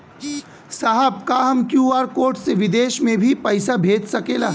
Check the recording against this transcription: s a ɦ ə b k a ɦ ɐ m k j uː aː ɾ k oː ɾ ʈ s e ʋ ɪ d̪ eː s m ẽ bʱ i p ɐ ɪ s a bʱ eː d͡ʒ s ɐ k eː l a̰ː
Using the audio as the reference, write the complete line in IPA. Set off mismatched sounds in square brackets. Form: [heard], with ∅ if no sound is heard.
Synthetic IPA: s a ɦ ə b k a ɦ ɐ m k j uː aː ɾ k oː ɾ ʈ s e ʋ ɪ d̪ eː [ʃ] m ẽ bʱ i p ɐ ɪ s a bʱ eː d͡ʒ s ɐ k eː l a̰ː